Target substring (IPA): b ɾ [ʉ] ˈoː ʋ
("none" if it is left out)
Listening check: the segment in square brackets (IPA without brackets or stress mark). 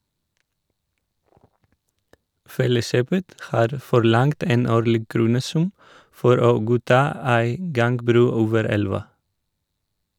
ʉː